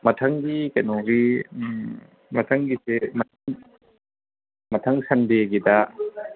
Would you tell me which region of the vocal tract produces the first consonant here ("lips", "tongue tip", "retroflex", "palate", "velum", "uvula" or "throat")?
lips